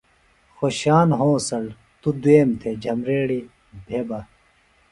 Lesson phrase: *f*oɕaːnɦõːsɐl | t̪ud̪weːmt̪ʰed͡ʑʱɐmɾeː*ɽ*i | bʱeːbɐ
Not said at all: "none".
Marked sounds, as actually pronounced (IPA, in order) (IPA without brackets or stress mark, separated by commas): x, ɽ